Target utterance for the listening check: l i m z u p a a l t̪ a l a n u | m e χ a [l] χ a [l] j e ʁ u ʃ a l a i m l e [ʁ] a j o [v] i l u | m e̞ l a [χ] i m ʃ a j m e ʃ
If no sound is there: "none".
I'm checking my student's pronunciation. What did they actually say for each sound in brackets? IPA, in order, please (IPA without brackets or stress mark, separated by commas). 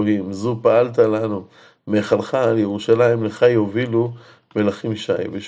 l, l, χ, v, χ